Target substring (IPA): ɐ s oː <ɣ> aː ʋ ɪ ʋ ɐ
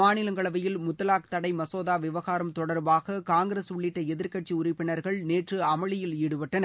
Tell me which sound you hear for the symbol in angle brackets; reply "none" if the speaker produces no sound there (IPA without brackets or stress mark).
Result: ð